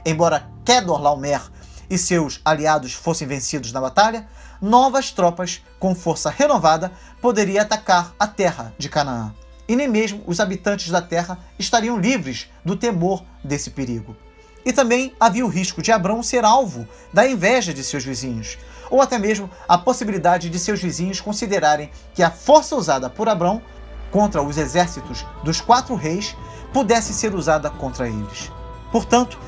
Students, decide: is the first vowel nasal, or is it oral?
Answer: nasal